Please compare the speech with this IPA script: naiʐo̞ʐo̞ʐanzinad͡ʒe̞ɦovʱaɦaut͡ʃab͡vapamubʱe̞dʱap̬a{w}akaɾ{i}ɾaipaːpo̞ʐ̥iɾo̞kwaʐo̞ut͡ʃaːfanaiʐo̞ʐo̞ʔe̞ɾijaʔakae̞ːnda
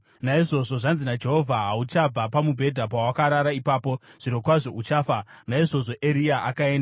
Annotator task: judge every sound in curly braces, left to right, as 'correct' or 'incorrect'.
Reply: correct, incorrect

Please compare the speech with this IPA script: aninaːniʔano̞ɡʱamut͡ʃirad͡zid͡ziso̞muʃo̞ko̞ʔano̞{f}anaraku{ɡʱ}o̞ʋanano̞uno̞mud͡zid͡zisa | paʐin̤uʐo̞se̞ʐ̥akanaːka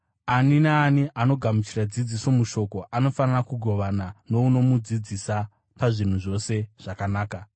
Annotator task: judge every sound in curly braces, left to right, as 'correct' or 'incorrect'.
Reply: correct, correct

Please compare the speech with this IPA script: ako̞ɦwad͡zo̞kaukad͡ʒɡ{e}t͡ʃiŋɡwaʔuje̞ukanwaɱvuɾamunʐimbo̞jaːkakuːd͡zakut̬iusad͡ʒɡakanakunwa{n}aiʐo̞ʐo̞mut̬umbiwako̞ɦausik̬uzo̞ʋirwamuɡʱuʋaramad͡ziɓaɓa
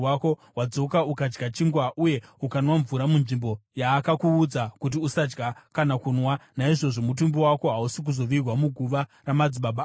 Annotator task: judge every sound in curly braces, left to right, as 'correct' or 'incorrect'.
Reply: incorrect, correct

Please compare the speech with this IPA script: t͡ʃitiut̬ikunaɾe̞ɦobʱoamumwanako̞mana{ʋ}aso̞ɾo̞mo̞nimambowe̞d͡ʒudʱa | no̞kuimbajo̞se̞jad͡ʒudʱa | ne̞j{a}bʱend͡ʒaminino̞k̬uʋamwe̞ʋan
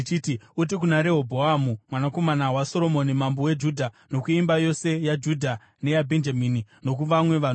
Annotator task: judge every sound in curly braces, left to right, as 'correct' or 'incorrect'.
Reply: incorrect, correct

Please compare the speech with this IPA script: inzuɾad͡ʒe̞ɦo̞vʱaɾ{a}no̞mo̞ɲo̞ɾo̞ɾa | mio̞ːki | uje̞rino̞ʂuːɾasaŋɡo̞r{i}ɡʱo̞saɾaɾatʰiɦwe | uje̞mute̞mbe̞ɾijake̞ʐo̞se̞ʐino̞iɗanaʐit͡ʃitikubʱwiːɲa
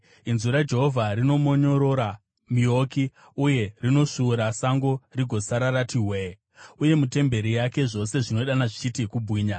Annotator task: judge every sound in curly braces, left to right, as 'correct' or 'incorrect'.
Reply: incorrect, correct

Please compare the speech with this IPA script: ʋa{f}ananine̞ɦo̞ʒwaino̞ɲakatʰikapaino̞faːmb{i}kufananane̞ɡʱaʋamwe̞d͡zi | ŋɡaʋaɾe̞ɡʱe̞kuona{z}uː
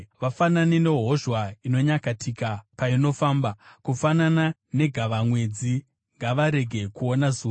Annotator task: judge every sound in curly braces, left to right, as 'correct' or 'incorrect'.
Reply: correct, incorrect, correct

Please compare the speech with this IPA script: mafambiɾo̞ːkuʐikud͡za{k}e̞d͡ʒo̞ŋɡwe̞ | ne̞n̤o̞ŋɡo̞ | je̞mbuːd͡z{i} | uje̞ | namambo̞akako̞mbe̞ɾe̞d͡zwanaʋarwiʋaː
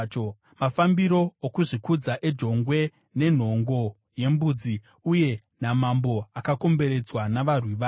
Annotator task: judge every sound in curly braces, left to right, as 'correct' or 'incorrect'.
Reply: incorrect, correct

